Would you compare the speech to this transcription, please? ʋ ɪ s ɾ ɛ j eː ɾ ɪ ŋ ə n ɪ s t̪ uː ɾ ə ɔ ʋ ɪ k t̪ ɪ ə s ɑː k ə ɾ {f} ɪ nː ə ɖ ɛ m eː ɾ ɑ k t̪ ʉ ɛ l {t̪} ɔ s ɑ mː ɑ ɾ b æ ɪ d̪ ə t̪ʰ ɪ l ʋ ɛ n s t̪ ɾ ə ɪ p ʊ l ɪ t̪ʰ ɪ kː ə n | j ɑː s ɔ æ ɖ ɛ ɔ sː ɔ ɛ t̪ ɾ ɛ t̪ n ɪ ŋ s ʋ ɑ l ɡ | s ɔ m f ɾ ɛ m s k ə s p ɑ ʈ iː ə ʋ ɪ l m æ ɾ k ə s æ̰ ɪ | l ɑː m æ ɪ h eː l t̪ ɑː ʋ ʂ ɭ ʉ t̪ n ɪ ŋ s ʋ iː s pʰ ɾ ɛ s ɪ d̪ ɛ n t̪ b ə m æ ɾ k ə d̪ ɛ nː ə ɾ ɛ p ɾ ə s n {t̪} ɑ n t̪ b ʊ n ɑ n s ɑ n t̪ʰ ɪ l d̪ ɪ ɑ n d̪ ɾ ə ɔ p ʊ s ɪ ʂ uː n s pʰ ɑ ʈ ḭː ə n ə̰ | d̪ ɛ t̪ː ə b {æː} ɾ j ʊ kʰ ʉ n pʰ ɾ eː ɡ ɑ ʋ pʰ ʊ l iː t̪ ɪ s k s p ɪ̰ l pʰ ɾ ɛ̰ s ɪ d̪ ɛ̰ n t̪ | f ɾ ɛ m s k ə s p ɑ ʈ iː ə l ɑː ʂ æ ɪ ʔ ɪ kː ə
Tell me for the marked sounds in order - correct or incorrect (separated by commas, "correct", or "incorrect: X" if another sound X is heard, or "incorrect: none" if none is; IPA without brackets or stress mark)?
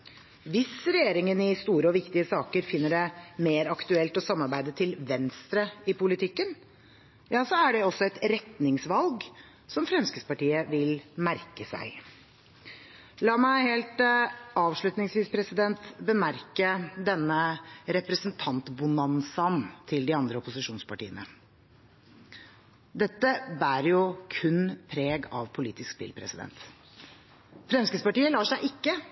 correct, correct, incorrect: t̪ʰ, correct